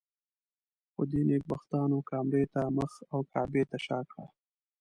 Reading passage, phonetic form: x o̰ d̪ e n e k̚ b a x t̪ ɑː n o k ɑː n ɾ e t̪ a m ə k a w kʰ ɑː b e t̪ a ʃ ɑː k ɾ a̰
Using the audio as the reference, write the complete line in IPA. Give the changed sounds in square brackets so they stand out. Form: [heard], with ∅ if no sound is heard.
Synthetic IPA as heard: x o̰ d̪ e n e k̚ b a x t̪ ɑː n o k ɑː [m] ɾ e t̪ a m ə [x] a w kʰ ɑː b e t̪ a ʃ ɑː k [ɽ] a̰